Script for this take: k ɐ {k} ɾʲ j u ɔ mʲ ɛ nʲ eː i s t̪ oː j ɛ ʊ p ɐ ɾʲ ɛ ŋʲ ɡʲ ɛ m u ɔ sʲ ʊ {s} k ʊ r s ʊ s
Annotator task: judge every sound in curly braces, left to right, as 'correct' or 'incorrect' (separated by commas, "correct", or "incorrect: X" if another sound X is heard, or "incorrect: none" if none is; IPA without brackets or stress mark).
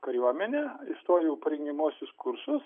incorrect: none, correct